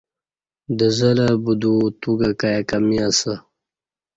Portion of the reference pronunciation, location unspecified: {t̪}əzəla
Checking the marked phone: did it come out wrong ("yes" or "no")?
yes